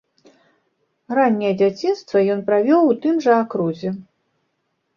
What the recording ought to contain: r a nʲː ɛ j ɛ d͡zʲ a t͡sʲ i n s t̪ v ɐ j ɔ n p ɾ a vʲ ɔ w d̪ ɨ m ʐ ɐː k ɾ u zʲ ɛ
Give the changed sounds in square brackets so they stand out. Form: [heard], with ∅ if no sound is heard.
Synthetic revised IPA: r a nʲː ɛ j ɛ d͡zʲ a t͡sʲ i n s t̪ v ɐ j ɔ n p ɾ a vʲ ɔ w [t̪] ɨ m ʐ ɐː k ɾ u zʲ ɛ